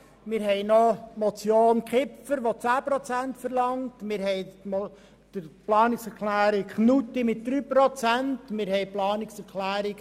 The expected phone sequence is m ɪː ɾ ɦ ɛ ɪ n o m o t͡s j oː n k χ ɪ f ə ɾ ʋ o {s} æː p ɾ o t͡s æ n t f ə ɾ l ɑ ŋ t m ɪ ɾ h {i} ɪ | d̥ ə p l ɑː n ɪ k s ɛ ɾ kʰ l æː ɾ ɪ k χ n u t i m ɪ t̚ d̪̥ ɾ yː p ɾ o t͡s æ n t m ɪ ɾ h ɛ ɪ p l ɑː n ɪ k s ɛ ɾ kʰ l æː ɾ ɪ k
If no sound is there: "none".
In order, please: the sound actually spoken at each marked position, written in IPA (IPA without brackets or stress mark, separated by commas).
t͡s, ɛ